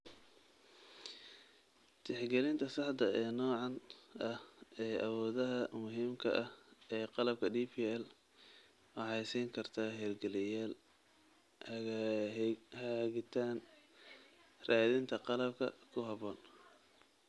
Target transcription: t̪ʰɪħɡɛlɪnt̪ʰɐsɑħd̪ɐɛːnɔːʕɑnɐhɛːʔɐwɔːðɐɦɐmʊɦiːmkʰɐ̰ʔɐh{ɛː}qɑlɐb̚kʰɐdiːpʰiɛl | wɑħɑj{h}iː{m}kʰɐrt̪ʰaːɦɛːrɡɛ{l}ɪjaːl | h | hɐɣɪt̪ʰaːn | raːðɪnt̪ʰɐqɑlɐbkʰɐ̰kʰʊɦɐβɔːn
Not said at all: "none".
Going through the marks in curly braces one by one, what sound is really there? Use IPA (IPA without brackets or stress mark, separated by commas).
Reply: ɛː, s, ŋ, l